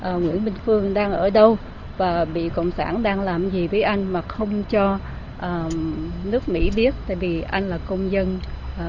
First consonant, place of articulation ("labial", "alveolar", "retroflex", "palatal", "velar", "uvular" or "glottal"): glottal